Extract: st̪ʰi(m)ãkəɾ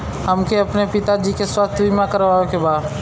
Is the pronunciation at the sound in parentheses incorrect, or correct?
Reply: correct